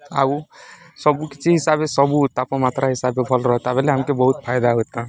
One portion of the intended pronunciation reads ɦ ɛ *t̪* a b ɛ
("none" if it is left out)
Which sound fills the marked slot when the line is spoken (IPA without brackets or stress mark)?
t̪